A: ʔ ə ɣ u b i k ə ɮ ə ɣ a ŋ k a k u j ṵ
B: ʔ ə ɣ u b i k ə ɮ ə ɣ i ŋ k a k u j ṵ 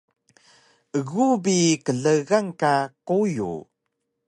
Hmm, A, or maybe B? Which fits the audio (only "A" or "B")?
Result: A